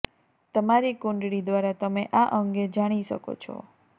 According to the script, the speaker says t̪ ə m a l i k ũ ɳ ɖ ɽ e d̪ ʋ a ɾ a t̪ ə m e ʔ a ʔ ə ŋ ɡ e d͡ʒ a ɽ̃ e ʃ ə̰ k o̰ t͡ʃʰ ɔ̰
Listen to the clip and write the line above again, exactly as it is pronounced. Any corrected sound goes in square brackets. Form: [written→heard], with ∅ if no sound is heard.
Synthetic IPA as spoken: t̪ ə m a [l→ɾ] i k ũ ɳ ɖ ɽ [e→i] d̪ ʋ a ɾ a t̪ ə m e ʔ a ʔ ə ŋ ɡ e d͡ʒ a ɽ̃ [e→i] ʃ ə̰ k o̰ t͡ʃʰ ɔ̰